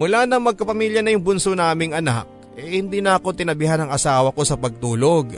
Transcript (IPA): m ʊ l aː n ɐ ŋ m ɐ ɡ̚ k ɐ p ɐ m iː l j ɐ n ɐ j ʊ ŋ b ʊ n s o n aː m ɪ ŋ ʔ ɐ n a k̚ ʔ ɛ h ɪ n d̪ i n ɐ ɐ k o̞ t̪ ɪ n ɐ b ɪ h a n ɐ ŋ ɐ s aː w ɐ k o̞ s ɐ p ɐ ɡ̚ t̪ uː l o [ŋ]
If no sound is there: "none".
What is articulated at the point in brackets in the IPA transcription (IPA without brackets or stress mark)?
ɡ